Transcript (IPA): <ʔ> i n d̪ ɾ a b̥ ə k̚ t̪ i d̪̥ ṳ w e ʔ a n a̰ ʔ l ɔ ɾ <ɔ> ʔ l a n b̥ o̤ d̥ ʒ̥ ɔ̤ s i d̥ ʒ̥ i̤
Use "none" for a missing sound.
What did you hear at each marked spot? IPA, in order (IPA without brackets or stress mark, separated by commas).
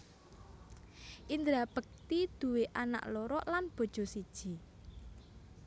ʔ, ɔ